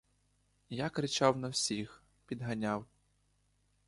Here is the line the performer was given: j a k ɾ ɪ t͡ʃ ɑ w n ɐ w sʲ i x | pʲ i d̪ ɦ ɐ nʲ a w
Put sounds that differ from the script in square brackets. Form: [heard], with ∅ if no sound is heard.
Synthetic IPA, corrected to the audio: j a k ɾ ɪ t͡ʃ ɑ w n ɐ w sʲ i x | pʲ i d̪ ɦ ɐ nʲ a w